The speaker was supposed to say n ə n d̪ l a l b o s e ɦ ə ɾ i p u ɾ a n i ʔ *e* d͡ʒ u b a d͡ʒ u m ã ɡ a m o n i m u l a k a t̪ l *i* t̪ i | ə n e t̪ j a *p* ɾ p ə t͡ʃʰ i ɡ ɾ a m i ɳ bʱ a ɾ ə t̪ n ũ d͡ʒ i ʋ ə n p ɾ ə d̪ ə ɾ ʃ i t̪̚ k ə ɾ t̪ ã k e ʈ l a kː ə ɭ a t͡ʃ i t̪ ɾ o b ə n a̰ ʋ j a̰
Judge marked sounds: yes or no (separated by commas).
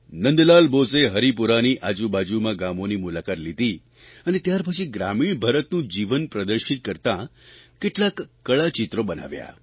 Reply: no, yes, no